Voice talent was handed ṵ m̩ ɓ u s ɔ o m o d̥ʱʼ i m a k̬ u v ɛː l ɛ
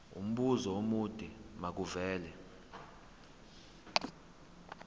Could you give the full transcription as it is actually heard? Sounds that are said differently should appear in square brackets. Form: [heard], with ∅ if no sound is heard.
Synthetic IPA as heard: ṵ m̩ ɓ u [z] ɔ o m [u] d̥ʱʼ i m a k̬ u v ɛː l ɛ